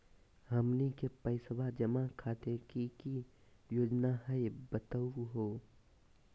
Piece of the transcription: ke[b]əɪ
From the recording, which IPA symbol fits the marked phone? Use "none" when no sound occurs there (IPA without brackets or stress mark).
p